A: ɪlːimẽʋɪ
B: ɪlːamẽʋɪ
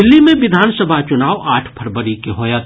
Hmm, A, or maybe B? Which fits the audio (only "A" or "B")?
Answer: A